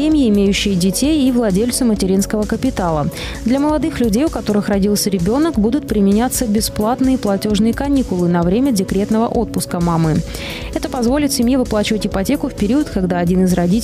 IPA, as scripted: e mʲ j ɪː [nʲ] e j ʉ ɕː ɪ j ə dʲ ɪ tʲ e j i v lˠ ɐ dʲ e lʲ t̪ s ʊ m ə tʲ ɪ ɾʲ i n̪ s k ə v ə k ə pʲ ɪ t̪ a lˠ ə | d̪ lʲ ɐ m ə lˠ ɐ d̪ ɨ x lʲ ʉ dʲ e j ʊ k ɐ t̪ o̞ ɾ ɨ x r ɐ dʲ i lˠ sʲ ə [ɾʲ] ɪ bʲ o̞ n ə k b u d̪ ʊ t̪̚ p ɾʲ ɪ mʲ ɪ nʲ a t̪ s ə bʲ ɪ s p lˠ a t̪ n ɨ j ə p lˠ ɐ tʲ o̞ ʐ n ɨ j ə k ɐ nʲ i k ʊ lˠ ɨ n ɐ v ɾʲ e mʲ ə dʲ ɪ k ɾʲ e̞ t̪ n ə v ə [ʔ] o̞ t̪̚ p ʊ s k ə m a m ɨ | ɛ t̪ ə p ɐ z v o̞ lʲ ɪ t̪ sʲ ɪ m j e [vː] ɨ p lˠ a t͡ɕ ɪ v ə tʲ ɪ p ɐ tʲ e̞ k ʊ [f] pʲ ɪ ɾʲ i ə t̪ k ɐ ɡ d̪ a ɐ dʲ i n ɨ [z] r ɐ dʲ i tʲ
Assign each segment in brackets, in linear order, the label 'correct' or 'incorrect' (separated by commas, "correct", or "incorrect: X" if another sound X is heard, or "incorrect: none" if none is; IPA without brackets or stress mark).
incorrect: mʲ, correct, correct, incorrect: v, correct, correct